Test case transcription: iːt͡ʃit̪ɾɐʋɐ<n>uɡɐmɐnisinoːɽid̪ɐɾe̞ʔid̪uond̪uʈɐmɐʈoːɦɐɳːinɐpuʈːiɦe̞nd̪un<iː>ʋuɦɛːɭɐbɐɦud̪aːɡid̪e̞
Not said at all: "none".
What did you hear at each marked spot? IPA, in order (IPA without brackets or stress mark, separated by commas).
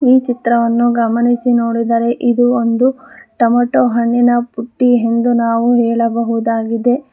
nː, aː